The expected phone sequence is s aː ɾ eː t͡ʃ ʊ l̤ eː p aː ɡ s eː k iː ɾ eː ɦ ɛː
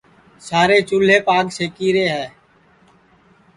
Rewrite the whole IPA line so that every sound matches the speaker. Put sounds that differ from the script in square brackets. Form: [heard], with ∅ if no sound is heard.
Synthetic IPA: s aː ɾ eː t͡ʃ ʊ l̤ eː p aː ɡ s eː k iː ɾ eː ɦ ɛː